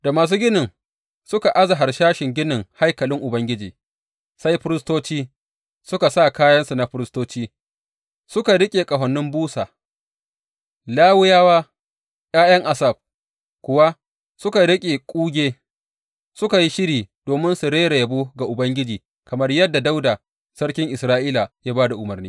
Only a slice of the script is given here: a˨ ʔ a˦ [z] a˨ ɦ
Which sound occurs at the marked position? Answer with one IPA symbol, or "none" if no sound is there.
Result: z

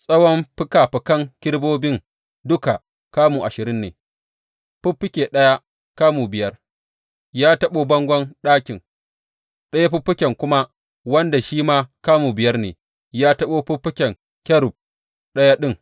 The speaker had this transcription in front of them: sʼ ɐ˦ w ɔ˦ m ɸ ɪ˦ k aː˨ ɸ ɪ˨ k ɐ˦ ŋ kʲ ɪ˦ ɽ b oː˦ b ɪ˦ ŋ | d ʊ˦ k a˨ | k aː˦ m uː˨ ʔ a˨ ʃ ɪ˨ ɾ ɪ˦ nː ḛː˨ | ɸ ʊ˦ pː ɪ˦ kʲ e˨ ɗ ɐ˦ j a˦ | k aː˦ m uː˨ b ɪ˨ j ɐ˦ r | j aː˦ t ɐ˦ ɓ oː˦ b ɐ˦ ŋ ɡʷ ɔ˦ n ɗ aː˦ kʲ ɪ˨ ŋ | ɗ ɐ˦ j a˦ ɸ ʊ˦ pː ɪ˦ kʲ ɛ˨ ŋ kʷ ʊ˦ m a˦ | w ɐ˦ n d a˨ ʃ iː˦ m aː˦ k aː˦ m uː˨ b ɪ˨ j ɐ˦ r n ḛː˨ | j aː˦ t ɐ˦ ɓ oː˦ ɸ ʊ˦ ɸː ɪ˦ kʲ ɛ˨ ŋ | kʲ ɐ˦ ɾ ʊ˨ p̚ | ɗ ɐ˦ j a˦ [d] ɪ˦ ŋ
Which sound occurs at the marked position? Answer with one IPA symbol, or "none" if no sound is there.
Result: ɗ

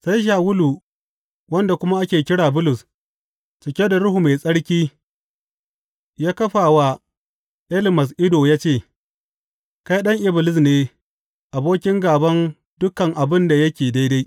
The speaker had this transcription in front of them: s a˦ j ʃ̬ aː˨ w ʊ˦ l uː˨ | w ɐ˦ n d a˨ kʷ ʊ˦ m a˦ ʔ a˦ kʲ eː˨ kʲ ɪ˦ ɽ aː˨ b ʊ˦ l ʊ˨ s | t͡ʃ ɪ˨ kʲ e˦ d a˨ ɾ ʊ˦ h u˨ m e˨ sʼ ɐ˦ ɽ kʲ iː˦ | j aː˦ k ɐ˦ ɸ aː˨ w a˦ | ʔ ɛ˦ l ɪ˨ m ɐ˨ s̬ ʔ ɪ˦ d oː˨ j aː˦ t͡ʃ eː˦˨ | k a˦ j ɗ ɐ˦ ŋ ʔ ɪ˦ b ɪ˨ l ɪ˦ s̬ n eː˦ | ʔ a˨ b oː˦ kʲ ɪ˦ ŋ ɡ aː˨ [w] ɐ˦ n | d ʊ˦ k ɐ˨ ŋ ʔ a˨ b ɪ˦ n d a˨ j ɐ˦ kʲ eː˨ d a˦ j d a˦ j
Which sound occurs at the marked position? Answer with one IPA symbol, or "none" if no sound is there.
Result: b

